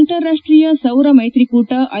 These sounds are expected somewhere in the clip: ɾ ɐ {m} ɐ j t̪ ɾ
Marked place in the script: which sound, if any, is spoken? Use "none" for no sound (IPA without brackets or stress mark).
m